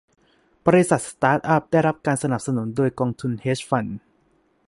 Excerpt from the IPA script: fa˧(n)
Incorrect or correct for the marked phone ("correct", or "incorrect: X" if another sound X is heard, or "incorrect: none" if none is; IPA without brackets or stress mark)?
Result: correct